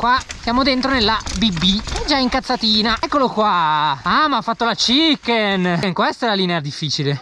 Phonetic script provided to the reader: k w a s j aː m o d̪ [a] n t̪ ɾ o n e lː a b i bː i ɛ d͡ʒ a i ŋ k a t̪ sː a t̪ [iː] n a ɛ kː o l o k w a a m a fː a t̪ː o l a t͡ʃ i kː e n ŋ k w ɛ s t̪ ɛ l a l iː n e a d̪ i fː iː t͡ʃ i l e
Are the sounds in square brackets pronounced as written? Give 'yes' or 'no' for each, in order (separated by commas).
no, yes